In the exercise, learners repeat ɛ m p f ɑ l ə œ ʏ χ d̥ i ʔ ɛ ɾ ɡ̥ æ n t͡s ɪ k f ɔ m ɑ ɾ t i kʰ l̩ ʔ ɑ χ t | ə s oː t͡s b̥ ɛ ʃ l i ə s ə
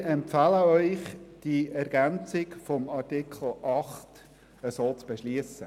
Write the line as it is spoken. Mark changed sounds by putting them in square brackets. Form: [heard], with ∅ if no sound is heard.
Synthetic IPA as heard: ɛ m p f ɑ l ə œ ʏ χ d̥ i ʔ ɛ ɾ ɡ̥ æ n t͡s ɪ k f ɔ m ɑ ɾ t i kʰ l̩ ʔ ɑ χ t | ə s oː t͡s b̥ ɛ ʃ l i ə s ə